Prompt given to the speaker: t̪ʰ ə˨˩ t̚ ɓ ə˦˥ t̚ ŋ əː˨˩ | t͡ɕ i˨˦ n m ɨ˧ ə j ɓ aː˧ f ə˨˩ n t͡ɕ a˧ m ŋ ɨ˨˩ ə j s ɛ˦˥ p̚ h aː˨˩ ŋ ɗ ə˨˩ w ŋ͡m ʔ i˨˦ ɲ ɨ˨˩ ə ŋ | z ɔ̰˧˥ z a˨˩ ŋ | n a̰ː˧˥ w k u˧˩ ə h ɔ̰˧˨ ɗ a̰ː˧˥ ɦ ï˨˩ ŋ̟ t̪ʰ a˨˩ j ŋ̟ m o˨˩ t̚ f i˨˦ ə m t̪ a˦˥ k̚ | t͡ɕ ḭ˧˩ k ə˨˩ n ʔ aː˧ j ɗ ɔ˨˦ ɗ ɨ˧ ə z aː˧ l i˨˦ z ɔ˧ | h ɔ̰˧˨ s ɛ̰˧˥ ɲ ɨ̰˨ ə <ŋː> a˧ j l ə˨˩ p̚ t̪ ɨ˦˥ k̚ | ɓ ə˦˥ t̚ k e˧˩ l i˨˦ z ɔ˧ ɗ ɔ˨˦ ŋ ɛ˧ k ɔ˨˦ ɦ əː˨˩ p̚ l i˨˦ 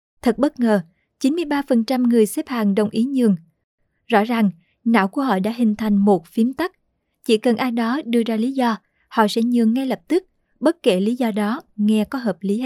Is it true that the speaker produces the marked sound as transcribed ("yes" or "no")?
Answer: yes